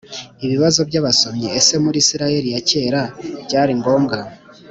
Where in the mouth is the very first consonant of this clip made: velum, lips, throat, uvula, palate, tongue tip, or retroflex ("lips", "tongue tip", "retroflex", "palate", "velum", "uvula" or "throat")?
lips